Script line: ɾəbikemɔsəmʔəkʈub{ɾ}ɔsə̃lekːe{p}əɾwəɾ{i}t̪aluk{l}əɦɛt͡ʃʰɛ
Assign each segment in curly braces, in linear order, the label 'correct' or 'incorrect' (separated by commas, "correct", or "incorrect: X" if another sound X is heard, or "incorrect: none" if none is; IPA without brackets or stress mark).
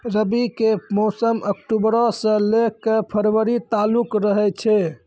correct, incorrect: pʰ, correct, incorrect: ɾ